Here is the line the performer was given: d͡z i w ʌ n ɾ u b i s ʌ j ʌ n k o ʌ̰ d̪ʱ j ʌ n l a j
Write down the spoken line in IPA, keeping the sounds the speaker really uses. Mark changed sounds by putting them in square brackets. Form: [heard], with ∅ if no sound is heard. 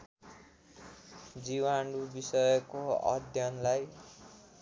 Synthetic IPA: d͡z i w [a] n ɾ u b i s ʌ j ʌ [∅] k o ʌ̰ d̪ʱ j ʌ n l a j